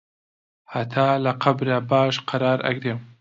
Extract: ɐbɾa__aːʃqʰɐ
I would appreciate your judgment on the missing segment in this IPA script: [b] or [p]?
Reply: b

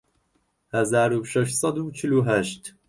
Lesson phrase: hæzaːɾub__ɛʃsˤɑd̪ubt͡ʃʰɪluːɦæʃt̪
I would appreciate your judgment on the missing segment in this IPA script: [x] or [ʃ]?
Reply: ʃ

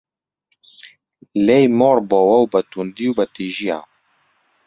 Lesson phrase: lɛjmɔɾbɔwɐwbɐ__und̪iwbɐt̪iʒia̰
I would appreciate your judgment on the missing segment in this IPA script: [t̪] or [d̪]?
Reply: t̪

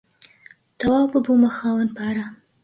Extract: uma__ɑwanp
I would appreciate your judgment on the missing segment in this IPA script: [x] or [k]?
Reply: x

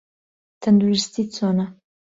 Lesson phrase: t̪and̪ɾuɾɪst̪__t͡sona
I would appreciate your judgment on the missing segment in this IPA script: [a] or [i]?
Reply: i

